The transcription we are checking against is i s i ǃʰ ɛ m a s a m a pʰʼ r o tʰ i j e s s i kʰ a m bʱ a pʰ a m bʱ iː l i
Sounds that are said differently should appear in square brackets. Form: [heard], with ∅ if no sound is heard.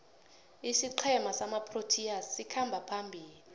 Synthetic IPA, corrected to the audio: i s i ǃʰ ɛ m a s a m a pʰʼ r o tʰ i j [a] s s i kʰ a m bʱ a pʰ a m bʱ iː l i